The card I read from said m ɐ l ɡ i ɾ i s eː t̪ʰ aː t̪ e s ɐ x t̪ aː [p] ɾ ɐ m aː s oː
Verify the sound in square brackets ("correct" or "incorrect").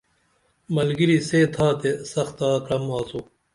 incorrect